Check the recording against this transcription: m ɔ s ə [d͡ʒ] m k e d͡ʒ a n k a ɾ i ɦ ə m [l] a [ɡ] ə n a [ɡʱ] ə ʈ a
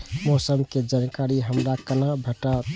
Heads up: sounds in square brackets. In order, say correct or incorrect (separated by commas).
incorrect, incorrect, incorrect, incorrect